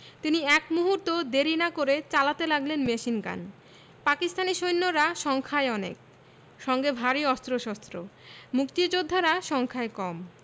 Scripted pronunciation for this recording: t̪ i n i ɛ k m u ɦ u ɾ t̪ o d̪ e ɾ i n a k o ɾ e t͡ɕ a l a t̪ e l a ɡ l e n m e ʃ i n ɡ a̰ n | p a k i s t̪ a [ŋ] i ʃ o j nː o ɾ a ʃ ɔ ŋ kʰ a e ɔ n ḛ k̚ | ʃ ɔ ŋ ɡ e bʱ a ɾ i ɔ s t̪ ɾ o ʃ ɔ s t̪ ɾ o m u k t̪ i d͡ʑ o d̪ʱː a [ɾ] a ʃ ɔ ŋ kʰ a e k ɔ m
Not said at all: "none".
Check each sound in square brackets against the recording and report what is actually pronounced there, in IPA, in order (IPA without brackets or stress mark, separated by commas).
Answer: n, ɾ